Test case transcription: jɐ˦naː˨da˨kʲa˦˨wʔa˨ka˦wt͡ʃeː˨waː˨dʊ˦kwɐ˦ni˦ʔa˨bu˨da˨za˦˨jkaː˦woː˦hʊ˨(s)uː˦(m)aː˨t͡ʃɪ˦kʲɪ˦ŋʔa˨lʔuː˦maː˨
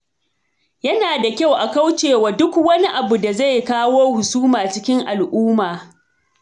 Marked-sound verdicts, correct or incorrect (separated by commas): correct, correct